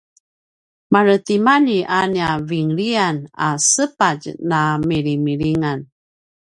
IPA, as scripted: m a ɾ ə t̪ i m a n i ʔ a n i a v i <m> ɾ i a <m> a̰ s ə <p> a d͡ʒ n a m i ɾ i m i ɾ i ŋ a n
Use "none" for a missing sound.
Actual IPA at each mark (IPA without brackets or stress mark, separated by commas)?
ŋ, n, p